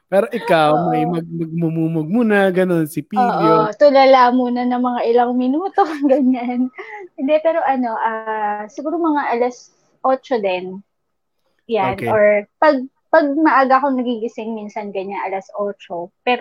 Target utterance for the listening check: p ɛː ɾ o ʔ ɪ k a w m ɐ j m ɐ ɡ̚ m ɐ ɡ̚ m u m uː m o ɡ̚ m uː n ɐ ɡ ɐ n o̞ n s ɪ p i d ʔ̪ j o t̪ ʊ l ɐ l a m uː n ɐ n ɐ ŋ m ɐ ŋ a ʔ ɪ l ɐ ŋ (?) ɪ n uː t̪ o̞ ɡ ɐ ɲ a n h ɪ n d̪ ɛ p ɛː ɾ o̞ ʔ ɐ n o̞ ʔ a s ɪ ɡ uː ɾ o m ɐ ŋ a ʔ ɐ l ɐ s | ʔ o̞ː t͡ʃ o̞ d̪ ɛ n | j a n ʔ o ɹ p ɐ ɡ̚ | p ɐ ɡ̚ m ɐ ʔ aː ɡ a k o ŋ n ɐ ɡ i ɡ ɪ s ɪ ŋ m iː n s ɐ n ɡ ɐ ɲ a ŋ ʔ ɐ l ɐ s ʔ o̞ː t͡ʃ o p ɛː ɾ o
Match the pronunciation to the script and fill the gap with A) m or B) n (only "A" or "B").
A